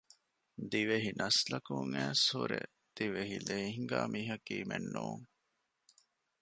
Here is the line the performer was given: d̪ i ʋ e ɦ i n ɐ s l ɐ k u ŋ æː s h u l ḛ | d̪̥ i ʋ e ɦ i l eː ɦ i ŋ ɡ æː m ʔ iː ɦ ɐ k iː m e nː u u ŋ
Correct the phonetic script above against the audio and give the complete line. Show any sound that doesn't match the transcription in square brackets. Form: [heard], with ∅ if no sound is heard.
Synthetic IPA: d̪ i ʋ e ɦ i n ɐ s l ɐ k u ŋ æː s h u [ɾ] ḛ | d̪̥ i ʋ e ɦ i l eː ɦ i ŋ ɡ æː m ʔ iː ɦ ɐ k iː m e nː u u ŋ